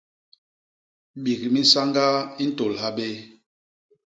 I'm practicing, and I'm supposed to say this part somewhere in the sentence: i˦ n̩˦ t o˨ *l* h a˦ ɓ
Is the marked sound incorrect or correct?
correct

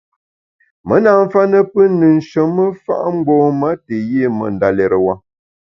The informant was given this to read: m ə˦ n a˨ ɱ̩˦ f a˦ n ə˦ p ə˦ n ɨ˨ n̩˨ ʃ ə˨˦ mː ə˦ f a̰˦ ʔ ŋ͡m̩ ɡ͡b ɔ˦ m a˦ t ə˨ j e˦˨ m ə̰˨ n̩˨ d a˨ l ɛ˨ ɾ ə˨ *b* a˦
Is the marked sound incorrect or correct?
incorrect: w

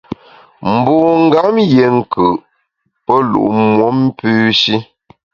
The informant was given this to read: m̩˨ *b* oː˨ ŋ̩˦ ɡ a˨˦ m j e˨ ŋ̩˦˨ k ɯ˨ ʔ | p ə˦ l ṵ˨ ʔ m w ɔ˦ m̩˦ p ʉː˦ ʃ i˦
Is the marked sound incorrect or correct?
correct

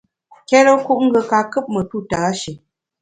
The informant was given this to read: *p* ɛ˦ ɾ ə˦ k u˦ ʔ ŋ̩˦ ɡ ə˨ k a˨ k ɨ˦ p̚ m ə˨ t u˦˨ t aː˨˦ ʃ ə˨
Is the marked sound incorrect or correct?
incorrect: k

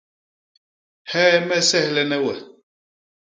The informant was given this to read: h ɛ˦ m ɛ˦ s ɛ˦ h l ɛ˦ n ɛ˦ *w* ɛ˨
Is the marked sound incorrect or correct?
correct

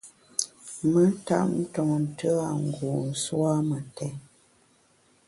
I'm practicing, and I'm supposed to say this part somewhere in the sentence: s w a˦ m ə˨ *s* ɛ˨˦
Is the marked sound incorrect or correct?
incorrect: t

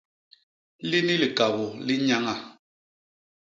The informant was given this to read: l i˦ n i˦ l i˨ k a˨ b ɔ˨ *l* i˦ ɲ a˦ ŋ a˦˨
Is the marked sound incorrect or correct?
correct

